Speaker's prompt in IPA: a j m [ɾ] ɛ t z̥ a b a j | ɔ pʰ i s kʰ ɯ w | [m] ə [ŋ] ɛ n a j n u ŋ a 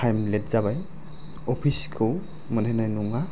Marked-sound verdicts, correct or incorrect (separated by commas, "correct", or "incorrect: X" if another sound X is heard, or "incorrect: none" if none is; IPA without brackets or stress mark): incorrect: l, correct, incorrect: n